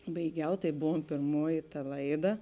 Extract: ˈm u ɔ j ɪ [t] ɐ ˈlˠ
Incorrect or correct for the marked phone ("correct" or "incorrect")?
correct